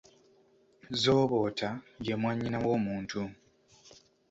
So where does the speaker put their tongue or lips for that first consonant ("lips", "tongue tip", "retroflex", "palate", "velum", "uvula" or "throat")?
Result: tongue tip